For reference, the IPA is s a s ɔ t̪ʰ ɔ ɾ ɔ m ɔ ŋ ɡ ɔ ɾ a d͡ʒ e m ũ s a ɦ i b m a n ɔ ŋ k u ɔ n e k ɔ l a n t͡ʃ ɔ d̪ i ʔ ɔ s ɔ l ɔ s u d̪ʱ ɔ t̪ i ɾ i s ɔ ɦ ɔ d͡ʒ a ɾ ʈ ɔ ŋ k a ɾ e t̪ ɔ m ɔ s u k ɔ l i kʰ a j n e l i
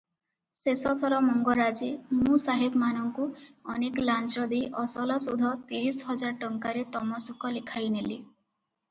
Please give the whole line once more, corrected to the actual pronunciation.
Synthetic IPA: s e s ɔ t̪ʰ ɔ ɾ ɔ m ɔ ŋ ɡ ɔ ɾ a d͡ʒ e m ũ s a ɦ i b m a n ɔ ŋ k u ɔ n e k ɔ l a n t͡ʃ ɔ d̪ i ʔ ɔ s ɔ l ɔ s u d̪ʱ ɔ t̪ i ɾ i s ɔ ɦ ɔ d͡ʒ a ɾ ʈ ɔ ŋ k a ɾ e t̪ ɔ m ɔ s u k ɔ l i kʰ a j n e l i